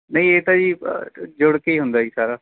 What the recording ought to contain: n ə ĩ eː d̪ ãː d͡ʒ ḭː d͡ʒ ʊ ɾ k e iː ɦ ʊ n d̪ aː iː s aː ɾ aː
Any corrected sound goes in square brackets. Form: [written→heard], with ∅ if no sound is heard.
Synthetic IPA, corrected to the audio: n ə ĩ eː [d̪→t̪] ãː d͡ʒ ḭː d͡ʒ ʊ [ɾ→ɽ] k e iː ɦ ʊ n d̪ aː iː s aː ɾ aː